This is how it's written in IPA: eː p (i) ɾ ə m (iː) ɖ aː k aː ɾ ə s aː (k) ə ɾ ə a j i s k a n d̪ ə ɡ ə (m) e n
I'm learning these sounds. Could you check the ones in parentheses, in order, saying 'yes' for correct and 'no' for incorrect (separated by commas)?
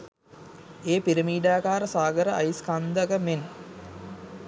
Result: yes, yes, no, yes